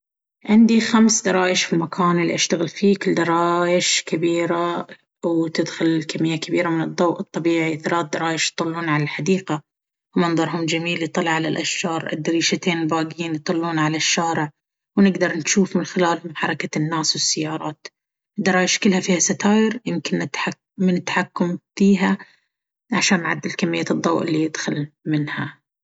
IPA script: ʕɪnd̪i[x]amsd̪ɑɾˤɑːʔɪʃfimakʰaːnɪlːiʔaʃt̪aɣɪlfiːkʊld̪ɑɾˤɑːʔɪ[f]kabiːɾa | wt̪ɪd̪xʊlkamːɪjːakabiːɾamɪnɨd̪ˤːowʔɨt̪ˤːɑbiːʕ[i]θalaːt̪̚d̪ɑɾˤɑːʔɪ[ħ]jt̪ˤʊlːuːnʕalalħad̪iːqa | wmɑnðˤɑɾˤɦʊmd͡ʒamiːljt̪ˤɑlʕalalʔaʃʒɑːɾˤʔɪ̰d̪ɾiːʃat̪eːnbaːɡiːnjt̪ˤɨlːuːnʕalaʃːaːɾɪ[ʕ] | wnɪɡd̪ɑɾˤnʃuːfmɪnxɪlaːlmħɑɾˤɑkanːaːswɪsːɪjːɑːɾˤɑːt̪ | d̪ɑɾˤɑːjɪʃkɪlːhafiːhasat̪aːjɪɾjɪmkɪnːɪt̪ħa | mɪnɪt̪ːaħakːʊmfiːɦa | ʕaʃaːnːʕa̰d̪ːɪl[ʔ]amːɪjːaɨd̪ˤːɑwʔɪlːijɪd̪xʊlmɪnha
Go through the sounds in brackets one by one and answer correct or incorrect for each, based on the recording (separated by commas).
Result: correct, incorrect, correct, incorrect, correct, incorrect